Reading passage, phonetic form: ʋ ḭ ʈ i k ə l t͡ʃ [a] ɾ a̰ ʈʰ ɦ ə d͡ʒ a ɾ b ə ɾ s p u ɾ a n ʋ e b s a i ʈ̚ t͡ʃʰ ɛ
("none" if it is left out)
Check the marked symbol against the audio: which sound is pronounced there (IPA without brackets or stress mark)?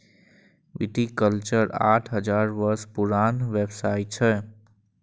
ə